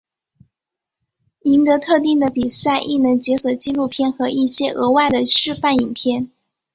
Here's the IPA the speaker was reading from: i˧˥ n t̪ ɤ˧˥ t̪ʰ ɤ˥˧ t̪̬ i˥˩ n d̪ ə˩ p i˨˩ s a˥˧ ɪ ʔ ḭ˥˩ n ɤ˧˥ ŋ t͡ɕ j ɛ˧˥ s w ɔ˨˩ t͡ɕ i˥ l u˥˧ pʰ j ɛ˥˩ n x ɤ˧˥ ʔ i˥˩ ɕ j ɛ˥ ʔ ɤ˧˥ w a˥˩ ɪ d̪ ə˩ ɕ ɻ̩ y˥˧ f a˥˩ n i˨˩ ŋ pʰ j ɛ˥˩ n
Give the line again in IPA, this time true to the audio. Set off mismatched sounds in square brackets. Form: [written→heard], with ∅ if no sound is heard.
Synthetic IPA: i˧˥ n t̪ ɤ˧˥ t̪ʰ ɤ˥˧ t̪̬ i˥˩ [n→ŋ] d̪ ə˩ p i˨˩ s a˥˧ ɪ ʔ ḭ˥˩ n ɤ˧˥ ŋ t͡ɕ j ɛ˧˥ s w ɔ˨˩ t͡ɕ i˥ l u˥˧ pʰ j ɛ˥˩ n x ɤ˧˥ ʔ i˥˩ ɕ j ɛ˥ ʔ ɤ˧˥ w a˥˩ ɪ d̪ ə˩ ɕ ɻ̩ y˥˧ f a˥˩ n i˨˩ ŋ pʰ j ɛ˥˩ n